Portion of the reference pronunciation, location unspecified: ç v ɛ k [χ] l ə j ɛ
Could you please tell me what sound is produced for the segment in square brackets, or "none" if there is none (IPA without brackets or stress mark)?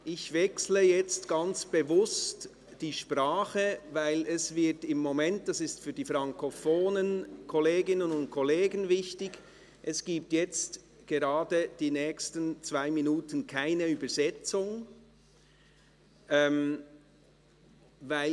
s